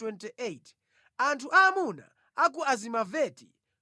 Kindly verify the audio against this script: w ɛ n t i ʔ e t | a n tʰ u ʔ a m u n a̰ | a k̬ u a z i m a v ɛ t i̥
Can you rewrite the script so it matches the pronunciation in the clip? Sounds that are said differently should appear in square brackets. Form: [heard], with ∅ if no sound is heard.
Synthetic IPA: w ɛ n t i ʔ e t | a n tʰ u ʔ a m u n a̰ | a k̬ u a z i m a v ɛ t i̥